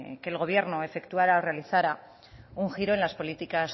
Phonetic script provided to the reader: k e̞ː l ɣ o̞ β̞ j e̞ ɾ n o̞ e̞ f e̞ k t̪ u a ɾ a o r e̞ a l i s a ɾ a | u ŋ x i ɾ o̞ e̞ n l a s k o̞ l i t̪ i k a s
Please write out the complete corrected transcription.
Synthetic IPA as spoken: k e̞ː l ɣ o̞ β̞ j e̞ ɾ n o̞ e̞ f e̞ k t̪ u a ɾ a o r e̞ a l i θ a ɾ a | u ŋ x i ɾ o̞ e̞ n l a s p o̞ l i t̪ i k a s